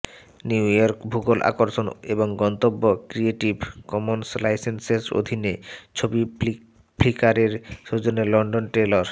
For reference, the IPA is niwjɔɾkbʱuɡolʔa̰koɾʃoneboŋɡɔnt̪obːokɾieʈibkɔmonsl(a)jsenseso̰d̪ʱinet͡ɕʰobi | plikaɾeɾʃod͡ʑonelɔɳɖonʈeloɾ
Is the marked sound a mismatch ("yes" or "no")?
no